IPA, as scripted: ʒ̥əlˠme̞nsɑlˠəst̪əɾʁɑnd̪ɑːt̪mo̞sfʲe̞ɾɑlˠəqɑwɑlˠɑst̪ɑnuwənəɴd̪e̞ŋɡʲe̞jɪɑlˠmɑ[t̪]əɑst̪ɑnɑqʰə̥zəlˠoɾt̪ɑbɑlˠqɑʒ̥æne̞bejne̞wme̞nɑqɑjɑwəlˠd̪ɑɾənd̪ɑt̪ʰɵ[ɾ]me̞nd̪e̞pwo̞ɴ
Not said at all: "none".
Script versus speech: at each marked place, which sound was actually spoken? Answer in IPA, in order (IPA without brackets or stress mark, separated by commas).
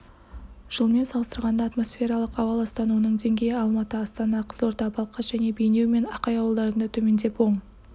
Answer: t̪, none